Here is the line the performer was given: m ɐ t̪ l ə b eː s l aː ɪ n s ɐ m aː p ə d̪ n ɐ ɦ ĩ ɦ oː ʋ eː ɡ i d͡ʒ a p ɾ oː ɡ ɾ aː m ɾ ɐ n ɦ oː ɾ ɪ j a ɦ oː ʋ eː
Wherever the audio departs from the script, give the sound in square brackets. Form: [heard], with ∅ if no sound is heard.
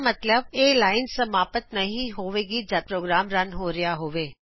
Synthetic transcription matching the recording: m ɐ t̪ l ə b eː [∅] l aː ɪ n s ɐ m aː p ə [t̪] n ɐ ɦ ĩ ɦ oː ʋ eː ɡ i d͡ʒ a p ɾ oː ɡ ɾ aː m ɾ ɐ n ɦ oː ɾ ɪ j a ɦ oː ʋ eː